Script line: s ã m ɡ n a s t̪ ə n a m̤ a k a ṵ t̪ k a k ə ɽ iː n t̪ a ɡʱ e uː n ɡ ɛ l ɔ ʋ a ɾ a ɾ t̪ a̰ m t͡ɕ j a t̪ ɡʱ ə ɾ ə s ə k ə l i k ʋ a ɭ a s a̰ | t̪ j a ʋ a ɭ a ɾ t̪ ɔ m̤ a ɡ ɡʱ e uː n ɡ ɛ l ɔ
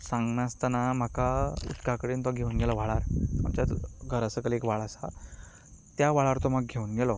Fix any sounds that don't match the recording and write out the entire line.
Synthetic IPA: s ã ŋ ɡ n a s t̪ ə n a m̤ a k a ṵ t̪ k a k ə ɽ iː n t̪ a ɡʱ e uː n ɡ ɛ l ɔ ʋ a ɭ a ɾ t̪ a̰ m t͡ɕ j a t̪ ɡʱ ə ɾ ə s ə k ə l e k ʋ a ɭ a s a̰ | t̪ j a ʋ a ɭ a ɾ t̪ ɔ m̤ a ɡ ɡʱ e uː n ɡ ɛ l ɔ